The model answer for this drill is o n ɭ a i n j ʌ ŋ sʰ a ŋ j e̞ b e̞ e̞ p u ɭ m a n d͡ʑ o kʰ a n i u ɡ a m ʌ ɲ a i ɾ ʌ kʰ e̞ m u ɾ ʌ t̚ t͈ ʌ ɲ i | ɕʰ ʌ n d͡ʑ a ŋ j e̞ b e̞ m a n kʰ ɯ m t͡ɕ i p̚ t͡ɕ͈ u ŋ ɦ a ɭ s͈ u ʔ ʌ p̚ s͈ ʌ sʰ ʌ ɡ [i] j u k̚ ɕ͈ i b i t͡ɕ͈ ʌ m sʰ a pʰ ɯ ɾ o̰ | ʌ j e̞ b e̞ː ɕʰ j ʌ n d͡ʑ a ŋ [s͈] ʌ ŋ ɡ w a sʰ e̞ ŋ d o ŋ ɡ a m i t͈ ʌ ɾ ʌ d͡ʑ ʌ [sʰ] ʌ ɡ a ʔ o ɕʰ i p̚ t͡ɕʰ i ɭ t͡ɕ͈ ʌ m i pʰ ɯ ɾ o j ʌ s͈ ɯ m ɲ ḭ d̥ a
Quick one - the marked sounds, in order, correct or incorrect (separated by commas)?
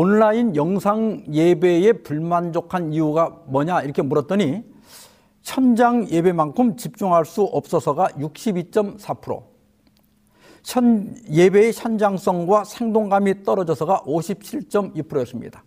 incorrect, correct, correct